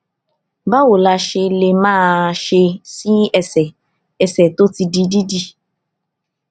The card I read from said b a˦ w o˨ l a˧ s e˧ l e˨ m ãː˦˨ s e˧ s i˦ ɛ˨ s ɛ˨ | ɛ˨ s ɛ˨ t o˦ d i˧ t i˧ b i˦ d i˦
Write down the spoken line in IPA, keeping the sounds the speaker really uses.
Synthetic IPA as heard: b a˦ w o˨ l a˧ ʃ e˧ l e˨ m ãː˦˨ ʃ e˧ s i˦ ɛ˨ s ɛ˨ | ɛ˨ s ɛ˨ t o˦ t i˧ d i˧ d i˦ d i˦